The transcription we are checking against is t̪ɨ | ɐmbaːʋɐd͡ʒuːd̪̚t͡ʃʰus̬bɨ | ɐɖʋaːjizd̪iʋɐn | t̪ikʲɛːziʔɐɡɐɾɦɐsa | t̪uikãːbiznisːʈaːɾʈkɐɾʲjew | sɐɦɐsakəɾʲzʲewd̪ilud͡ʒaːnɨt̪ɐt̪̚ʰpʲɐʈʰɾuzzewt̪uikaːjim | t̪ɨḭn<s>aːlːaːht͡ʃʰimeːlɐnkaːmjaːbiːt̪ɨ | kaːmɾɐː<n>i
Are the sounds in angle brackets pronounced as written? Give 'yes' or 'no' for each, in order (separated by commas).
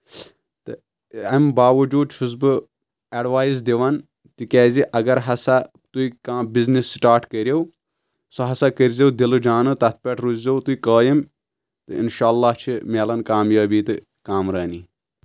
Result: no, yes